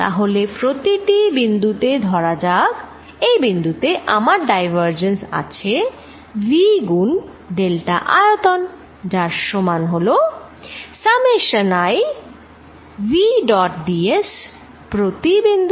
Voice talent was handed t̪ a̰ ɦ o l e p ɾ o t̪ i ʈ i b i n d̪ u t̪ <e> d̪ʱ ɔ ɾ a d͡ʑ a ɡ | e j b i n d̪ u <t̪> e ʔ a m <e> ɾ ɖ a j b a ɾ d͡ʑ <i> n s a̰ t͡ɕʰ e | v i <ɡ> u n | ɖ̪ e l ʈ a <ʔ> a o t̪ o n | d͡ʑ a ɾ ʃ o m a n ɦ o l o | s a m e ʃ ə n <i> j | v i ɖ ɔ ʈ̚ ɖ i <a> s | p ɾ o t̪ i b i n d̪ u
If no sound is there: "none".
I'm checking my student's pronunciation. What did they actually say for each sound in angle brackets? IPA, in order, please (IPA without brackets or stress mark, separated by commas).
e, t̪, a, e, ɡ, ʔ, a, e